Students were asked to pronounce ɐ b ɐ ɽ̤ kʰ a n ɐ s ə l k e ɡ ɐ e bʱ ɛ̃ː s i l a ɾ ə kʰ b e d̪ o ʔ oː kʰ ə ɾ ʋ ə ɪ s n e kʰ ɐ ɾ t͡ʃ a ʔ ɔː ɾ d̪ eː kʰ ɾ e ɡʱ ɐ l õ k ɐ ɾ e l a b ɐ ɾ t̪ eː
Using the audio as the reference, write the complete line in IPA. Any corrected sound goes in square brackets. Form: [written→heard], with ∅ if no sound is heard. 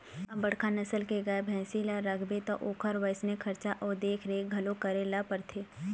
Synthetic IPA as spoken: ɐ b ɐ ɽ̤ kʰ a n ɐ s ə l k e ɡ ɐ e bʱ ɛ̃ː s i l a ɾ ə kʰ b e [d̪→t̪] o ʔ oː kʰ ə ɾ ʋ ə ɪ s n e kʰ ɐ ɾ t͡ʃ a ʔ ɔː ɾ d̪ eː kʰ ɾ e ɡʱ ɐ l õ k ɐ ɾ e l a [b→p] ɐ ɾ [t̪→t̪ʰ] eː